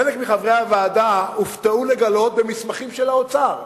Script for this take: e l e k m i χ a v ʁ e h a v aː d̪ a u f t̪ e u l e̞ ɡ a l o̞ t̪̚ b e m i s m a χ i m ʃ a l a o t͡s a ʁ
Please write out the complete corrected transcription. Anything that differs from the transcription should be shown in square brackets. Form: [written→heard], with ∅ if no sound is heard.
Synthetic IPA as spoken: e l e k m i χ a v ʁ e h a v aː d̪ a u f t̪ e u l e̞ ɡ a l o̞ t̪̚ b e m i s m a χ i m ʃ [a→e] l a o t͡s a ʁ